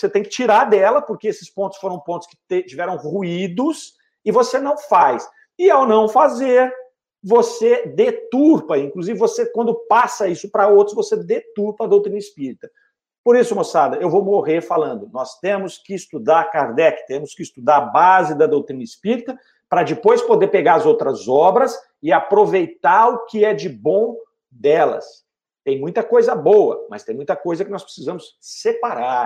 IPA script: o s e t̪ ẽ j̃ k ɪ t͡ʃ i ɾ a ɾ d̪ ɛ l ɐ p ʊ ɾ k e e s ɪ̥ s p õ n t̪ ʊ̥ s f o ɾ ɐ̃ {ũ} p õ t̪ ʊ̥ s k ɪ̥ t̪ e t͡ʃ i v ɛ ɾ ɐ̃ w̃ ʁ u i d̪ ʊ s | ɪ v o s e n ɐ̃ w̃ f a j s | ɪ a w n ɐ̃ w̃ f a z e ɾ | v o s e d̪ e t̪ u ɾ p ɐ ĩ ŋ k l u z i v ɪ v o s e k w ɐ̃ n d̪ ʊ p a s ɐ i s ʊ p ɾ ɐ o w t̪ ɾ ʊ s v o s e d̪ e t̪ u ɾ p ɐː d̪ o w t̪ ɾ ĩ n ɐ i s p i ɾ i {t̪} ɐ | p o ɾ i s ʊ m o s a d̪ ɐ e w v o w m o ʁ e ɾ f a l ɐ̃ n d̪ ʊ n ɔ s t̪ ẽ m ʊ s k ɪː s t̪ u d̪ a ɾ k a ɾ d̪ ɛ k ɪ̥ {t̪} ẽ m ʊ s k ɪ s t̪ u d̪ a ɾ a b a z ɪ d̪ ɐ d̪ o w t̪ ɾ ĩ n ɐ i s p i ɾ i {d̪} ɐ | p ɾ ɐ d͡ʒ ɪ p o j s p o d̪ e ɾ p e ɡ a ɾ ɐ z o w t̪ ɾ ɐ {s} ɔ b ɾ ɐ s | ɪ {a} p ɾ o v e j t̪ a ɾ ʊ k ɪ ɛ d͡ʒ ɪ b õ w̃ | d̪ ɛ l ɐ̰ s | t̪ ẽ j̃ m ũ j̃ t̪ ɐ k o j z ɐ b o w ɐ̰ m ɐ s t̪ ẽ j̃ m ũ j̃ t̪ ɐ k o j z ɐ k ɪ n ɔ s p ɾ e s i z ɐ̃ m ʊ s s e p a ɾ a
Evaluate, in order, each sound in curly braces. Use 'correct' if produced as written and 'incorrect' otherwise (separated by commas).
incorrect, correct, correct, incorrect, incorrect, correct